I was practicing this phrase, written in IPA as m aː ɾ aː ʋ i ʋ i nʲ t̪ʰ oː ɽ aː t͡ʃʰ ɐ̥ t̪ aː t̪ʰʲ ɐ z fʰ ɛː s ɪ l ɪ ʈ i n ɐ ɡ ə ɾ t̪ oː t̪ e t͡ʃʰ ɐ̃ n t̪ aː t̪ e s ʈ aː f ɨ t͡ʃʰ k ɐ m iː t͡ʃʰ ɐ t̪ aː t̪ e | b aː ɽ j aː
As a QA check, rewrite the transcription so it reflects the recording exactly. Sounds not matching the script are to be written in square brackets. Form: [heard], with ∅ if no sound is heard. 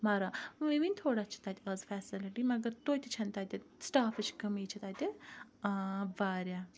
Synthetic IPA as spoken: m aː ɾ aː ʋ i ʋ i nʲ t̪ʰ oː ɽ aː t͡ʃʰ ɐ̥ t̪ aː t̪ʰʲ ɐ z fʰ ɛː s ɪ l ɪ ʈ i [m] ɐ ɡ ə ɾ t̪ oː t̪ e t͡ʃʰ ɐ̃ n t̪ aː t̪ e s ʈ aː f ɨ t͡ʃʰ k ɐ m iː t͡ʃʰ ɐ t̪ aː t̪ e | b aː [ɾ] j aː